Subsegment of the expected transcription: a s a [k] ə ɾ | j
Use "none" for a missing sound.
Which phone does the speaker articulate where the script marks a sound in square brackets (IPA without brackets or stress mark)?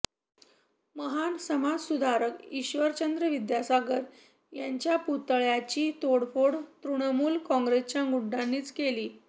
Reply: ɡ